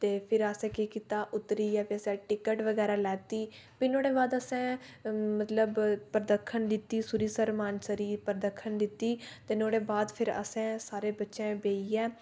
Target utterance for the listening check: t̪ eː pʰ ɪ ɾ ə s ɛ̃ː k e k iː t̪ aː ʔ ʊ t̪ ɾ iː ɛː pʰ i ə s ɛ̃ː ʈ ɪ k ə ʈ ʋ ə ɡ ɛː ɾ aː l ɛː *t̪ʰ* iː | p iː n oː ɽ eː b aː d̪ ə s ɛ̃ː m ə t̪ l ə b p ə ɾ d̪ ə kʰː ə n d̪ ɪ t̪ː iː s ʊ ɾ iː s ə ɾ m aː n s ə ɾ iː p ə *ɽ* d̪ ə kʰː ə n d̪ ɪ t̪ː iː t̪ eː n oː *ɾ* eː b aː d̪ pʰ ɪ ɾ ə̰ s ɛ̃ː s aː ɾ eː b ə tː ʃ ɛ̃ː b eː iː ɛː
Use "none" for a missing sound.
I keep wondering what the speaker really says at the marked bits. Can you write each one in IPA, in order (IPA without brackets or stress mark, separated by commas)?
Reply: t̪, ɾ, ɽ